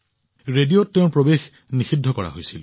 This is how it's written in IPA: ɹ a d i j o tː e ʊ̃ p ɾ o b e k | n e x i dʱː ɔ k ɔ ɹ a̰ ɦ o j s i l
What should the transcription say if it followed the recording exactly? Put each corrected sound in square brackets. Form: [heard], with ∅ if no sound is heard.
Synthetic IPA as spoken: ɹ [e] d i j o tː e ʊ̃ p [ɹ] o b e [x] | n [i] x i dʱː ɔ k ɔ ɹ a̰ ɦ o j s i l